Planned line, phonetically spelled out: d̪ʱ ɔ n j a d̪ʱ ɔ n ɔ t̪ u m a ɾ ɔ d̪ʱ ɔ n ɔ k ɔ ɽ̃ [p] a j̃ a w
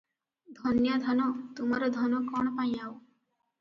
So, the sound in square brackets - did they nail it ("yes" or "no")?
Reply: yes